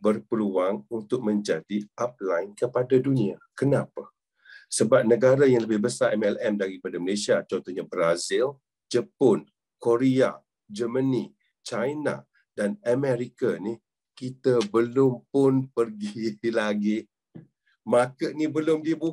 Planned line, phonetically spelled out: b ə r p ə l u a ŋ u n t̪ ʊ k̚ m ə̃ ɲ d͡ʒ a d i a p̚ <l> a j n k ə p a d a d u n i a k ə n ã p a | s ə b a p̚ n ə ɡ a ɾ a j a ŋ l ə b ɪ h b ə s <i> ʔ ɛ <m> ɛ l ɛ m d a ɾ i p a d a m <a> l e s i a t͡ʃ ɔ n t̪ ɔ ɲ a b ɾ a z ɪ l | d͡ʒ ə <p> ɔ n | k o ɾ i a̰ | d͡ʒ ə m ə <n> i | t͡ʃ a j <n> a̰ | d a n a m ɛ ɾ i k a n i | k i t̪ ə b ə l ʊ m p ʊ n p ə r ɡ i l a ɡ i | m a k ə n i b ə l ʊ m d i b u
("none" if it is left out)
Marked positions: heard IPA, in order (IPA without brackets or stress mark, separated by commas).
l, a, m, ə, p, n, n